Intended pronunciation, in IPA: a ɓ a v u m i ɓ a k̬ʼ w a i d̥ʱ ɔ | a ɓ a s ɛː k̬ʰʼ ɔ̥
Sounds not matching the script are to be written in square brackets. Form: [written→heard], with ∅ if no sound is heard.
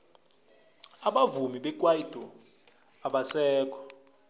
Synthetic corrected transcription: a ɓ a v u m i ɓ [a→ɛ] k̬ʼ w a i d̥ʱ ɔ | a ɓ a s ɛː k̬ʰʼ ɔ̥